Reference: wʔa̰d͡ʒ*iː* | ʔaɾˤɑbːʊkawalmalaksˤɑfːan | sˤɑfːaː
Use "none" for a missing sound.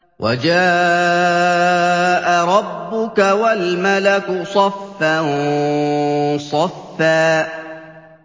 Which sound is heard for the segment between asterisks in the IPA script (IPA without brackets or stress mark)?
aː